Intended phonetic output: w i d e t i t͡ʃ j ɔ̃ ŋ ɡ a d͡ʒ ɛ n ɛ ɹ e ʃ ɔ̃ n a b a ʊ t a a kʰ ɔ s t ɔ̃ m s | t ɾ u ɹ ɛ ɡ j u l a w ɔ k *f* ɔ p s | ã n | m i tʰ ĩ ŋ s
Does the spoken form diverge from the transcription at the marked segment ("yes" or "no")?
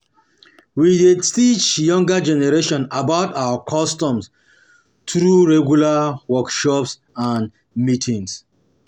yes